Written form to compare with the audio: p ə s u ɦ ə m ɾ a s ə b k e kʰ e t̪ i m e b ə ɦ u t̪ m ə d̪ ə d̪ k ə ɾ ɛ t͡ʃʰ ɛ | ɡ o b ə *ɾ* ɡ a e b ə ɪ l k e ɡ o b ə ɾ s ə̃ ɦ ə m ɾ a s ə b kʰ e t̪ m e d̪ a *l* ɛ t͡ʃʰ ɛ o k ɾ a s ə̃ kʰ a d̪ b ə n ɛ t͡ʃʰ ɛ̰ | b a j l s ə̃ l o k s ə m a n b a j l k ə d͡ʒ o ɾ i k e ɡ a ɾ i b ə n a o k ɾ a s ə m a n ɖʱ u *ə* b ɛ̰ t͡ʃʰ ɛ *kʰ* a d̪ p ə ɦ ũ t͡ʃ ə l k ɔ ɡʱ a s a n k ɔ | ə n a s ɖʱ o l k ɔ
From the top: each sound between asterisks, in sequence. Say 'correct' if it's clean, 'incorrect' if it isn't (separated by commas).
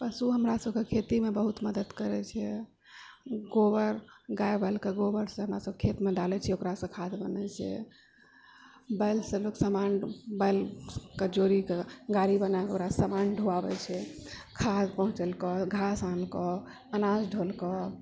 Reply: correct, correct, incorrect, correct